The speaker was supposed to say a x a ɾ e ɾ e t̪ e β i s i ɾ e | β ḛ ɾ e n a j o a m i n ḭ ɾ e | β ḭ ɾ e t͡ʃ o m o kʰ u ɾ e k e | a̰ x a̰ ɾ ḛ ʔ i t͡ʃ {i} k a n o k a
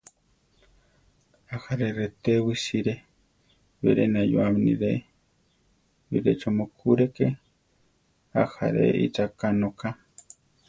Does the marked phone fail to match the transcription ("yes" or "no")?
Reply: yes